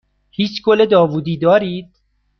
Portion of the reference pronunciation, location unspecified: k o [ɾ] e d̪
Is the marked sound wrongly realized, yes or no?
yes